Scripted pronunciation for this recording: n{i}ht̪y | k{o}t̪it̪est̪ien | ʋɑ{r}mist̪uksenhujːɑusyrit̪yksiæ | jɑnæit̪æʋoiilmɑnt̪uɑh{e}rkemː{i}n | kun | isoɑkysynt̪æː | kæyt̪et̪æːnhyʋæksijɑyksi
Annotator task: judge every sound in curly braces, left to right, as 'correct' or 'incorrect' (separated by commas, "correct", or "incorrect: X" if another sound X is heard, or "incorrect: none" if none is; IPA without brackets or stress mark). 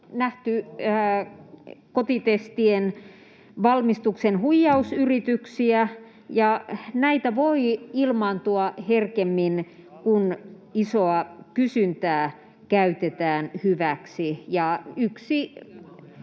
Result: incorrect: æ, correct, incorrect: l, correct, correct